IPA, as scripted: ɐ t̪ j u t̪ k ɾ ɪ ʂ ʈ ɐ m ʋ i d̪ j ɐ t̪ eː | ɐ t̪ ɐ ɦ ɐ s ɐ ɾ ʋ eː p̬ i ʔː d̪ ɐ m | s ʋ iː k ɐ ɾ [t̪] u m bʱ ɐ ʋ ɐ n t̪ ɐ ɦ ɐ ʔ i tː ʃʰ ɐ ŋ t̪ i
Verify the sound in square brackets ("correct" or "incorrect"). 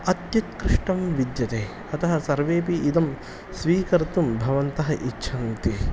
correct